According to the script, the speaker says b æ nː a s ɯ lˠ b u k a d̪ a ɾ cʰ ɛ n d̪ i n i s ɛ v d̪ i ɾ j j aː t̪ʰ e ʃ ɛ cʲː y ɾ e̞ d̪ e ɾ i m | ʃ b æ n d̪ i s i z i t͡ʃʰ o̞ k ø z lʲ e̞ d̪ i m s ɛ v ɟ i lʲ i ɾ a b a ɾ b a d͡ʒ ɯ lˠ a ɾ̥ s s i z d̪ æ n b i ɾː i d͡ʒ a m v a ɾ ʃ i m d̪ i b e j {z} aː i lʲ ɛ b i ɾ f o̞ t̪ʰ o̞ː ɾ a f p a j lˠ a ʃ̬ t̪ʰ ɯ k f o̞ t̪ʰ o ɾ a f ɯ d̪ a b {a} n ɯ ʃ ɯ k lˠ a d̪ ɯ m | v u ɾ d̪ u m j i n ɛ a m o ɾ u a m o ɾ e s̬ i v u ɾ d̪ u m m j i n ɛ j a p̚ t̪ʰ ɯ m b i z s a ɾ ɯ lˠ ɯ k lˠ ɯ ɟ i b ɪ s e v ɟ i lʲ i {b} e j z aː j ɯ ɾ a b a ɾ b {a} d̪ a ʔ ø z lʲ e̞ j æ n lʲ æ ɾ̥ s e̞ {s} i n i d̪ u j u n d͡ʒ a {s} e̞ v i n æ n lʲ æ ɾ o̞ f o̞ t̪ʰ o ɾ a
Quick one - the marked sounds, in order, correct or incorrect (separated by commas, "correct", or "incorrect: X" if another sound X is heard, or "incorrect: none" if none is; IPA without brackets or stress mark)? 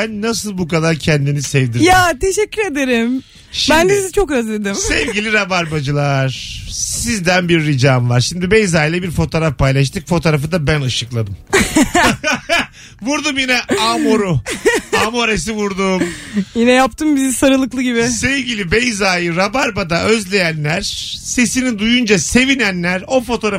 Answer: correct, incorrect: æ, correct, correct, correct, correct